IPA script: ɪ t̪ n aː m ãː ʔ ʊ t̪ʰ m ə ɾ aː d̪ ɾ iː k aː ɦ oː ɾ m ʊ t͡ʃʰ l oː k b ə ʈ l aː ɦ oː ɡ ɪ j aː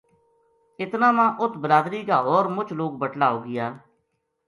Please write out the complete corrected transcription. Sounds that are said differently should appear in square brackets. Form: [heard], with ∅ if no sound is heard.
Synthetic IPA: ɪ t̪ n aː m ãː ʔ ʊ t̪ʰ [b] ə ɾ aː d̪ ɾ iː k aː ɦ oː ɾ m ʊ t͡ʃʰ l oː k b ə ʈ l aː ɦ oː ɡ ɪ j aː